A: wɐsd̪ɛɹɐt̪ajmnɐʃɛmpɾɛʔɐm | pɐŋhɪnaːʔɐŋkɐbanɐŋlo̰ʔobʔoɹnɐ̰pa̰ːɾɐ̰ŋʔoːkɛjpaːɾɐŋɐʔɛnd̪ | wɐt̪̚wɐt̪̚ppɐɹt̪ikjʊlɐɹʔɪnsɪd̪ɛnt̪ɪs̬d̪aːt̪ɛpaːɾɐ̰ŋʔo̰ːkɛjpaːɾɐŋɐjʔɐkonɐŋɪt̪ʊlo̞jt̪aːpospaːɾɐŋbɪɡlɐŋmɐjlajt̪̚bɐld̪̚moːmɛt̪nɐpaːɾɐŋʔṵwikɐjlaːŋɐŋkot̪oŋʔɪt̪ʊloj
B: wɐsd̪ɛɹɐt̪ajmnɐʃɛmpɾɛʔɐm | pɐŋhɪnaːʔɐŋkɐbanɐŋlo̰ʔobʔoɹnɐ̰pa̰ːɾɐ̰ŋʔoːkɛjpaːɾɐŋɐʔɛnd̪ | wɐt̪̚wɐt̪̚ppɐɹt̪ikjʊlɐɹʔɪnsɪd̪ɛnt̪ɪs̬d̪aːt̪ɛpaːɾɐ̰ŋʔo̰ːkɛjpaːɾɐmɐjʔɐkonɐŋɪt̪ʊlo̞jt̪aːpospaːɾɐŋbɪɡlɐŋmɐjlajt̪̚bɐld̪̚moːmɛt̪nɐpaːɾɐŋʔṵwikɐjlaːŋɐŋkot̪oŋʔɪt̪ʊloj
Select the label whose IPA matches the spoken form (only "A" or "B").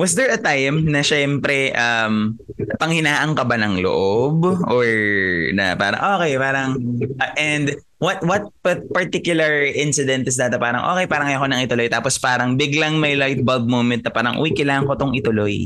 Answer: A